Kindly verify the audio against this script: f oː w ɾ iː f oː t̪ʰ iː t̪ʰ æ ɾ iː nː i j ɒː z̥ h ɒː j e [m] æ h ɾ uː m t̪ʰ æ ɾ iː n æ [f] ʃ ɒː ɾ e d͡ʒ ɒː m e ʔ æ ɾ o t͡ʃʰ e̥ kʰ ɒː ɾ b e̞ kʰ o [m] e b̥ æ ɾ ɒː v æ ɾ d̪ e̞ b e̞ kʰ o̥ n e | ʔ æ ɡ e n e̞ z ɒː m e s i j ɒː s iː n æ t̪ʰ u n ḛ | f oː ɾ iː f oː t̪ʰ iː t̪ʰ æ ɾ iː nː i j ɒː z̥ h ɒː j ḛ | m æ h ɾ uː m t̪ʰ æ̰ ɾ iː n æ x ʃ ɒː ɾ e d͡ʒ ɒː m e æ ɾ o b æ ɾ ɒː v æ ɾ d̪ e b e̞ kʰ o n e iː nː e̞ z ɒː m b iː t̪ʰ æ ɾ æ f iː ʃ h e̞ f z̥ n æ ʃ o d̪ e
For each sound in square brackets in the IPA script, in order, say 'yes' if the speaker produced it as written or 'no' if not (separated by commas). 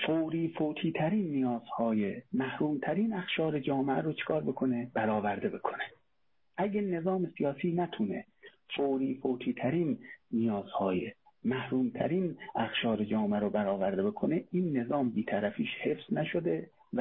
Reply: yes, no, no